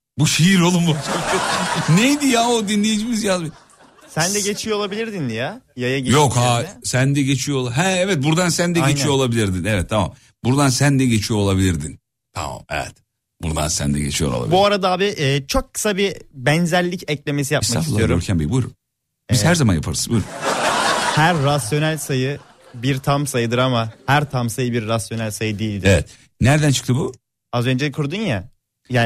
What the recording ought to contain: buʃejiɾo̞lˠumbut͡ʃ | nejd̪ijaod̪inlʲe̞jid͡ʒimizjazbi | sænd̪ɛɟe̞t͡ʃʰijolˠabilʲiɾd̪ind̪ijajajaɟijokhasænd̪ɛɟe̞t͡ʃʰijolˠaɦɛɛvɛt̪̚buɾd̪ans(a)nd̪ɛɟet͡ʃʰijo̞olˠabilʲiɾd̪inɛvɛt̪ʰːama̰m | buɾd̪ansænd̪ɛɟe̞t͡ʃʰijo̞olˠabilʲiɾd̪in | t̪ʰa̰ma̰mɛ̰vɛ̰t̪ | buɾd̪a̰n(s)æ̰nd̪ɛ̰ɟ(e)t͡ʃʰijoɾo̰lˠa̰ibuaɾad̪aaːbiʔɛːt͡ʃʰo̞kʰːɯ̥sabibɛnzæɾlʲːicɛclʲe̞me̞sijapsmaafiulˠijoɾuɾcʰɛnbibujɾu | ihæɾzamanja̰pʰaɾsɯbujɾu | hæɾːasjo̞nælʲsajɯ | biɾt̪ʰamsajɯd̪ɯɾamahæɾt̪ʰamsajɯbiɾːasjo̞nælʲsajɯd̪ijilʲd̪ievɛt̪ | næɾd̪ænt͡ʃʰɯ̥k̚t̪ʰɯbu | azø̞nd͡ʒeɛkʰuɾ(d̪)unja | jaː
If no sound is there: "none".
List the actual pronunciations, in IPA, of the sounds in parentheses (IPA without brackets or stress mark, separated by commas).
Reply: æ, s, e, d̪